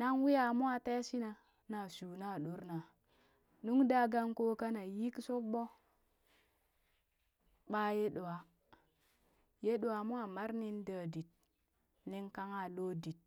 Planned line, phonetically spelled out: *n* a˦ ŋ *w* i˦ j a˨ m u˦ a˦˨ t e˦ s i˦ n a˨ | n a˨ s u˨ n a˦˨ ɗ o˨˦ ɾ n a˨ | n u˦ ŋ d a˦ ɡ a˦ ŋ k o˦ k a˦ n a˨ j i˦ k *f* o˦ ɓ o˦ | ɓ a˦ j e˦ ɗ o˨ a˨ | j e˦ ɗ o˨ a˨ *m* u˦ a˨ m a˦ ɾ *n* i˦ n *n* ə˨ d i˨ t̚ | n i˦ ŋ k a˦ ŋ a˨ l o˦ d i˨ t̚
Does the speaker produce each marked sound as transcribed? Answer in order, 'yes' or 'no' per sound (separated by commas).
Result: yes, yes, no, yes, yes, no